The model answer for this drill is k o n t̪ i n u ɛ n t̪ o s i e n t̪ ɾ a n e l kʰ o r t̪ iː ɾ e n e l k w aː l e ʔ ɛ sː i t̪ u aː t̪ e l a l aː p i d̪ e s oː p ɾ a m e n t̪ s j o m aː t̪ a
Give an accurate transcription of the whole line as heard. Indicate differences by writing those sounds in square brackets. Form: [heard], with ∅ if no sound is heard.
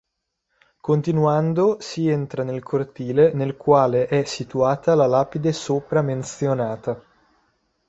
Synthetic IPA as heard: k o n t̪ i n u [a] n [d̪] o s i e n t̪ ɾ a n e l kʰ o r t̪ iː [l] e n e l k w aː l e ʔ ɛ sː i t̪ u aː t̪ [a] l a l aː p i d̪ e s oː p ɾ a m e n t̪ s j o [n] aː t̪ a